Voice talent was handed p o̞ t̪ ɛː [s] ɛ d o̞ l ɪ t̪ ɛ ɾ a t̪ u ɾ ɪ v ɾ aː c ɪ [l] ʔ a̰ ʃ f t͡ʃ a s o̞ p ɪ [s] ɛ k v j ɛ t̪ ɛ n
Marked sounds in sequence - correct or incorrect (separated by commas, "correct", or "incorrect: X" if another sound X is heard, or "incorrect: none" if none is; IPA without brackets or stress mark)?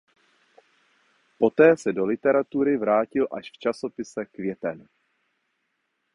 correct, correct, correct